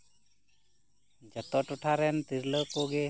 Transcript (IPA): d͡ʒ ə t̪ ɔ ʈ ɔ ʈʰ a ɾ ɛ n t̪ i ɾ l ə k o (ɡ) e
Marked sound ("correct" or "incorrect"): correct